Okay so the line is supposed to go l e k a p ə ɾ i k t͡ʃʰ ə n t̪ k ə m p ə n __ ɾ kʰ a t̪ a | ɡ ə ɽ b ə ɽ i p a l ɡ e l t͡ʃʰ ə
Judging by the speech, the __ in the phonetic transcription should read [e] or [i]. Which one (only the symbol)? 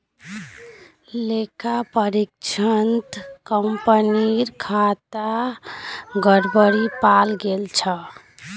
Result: i